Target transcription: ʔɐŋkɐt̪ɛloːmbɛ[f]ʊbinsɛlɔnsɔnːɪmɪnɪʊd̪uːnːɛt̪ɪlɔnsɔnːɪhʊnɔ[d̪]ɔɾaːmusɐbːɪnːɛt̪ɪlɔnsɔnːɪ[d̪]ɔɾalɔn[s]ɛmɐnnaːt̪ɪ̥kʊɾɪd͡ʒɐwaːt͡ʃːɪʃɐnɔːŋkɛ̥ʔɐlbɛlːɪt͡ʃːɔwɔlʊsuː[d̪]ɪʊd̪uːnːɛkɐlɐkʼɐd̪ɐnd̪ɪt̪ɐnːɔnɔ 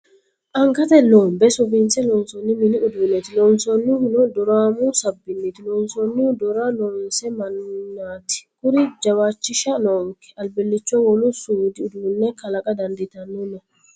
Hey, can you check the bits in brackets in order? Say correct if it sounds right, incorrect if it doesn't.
incorrect: s, correct, correct, correct, correct

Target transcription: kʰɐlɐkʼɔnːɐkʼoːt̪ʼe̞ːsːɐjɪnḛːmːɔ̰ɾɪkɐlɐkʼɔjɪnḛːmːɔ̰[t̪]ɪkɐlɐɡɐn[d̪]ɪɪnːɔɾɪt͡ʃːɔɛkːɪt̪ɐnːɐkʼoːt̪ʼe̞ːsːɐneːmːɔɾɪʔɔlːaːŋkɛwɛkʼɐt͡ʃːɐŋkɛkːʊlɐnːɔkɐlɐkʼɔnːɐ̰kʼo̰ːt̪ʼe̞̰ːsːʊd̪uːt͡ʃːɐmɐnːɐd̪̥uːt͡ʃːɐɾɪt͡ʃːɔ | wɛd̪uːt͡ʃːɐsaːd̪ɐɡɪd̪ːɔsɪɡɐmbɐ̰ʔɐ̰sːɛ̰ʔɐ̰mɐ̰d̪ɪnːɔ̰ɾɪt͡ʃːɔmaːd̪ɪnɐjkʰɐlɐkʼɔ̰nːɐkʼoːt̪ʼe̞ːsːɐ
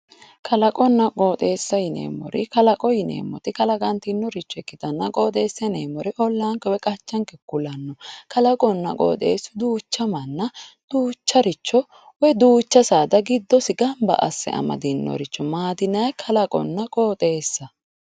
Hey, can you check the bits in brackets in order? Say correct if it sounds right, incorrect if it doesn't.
correct, incorrect: t̪

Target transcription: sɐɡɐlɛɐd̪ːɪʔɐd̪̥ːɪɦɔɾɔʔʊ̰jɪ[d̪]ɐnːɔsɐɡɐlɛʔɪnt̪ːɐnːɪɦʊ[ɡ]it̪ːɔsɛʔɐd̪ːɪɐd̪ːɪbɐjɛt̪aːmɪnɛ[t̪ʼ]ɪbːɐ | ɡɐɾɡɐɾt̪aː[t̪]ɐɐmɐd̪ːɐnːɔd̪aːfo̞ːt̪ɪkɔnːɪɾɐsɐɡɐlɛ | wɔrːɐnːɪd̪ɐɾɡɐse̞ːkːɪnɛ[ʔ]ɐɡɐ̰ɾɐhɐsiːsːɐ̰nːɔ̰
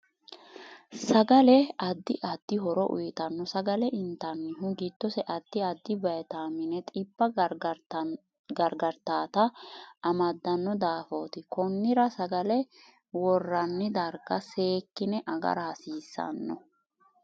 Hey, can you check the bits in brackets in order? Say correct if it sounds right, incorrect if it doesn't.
incorrect: t̪, correct, correct, correct, correct

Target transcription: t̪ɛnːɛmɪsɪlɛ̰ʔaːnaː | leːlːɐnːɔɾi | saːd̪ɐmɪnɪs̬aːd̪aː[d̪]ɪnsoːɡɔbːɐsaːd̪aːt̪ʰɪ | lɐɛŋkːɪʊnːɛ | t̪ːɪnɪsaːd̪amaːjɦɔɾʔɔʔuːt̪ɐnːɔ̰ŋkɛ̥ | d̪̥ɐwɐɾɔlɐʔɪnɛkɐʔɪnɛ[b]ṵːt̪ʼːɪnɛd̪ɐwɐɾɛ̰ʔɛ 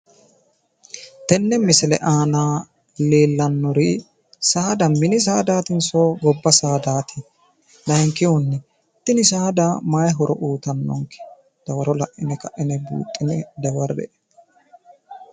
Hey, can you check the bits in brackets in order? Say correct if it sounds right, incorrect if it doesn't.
incorrect: t̪, correct

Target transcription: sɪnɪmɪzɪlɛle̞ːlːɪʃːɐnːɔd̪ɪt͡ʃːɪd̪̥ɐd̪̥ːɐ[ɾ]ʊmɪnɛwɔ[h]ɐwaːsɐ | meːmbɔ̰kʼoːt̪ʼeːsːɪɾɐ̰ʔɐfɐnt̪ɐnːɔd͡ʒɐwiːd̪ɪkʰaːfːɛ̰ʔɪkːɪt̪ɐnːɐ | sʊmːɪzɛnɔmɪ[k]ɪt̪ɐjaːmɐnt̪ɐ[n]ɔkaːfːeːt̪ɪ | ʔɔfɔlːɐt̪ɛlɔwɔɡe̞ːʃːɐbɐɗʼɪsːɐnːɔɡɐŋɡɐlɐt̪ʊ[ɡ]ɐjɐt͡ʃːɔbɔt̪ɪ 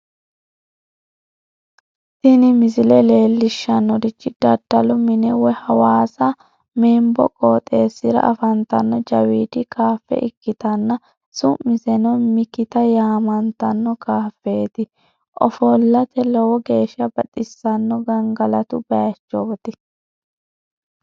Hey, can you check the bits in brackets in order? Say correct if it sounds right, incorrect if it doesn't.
incorrect: l, correct, correct, incorrect: nː, incorrect: b

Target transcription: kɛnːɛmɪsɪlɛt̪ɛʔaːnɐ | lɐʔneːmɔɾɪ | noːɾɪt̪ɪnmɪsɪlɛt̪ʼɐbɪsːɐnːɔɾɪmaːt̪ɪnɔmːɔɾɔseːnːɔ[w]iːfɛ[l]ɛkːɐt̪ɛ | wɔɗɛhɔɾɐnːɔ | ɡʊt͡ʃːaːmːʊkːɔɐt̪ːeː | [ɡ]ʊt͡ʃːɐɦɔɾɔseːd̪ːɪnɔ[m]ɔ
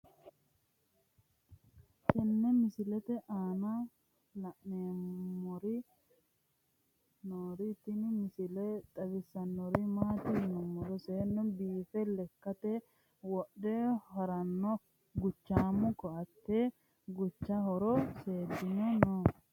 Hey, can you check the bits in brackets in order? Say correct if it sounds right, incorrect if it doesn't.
incorrect: b, correct, correct, incorrect: n

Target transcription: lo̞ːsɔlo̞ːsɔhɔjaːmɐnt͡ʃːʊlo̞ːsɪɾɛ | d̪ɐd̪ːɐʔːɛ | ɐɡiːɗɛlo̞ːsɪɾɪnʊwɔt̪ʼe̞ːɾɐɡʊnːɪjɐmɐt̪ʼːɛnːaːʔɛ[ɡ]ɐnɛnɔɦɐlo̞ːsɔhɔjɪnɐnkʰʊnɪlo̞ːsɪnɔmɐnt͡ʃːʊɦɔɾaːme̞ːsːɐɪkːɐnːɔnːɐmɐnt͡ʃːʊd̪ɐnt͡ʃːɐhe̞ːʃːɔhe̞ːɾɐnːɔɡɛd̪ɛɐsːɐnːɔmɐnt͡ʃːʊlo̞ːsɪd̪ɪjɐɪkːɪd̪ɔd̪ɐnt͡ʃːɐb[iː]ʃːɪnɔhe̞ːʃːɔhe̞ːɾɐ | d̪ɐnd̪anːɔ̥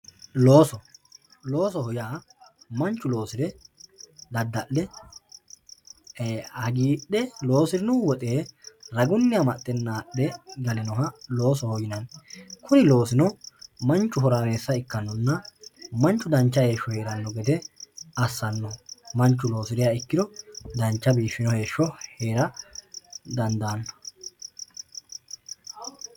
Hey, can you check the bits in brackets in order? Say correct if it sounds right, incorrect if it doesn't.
correct, correct

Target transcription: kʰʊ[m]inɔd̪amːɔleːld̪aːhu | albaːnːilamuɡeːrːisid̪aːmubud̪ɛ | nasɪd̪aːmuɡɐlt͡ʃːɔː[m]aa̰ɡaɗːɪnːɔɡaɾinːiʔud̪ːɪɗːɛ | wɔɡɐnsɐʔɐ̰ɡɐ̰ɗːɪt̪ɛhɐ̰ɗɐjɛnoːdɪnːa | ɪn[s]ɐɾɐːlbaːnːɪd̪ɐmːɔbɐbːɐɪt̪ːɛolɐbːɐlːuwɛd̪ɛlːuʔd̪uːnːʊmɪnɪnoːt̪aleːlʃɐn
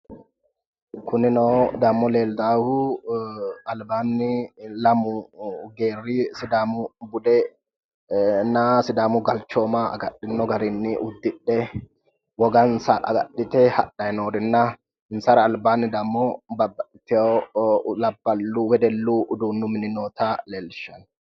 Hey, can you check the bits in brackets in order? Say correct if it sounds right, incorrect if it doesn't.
incorrect: n, correct, correct

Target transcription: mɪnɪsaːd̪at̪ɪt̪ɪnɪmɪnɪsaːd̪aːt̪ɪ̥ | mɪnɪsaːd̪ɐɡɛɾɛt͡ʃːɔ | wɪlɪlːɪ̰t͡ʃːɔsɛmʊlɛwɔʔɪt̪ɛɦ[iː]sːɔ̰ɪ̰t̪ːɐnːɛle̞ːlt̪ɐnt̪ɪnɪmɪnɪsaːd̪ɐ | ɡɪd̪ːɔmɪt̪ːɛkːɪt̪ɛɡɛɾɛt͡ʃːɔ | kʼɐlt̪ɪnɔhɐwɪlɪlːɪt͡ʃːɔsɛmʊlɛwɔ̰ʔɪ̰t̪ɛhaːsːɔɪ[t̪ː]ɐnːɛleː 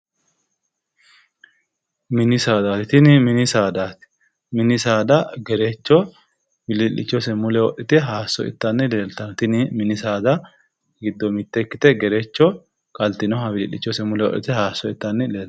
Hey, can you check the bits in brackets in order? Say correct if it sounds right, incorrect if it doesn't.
incorrect: aː, correct

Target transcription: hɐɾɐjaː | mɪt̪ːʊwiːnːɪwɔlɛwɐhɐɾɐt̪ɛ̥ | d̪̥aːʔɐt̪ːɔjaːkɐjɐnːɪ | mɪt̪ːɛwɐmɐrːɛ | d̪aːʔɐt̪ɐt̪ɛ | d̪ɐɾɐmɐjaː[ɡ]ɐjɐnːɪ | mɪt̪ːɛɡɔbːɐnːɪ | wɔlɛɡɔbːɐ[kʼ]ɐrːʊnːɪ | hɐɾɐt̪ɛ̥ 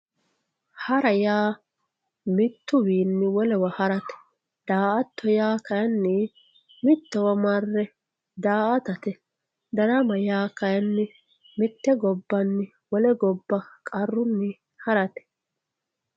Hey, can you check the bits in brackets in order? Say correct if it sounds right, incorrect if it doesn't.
incorrect: k, correct

